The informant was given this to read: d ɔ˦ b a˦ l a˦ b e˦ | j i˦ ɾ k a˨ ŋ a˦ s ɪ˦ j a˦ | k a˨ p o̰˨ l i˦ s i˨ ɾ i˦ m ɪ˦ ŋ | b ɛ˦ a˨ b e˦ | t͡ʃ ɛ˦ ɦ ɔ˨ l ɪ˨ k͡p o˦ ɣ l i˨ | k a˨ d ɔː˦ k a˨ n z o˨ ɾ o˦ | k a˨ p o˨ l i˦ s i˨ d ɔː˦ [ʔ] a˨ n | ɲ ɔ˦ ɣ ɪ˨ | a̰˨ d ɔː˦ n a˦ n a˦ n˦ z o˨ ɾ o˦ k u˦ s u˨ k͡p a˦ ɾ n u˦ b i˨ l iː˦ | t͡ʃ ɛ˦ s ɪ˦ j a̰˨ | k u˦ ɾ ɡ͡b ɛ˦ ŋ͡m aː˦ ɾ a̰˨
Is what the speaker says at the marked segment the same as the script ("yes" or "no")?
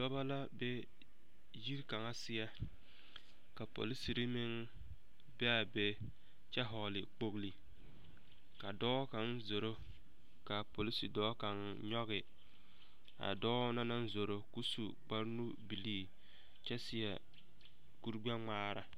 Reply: no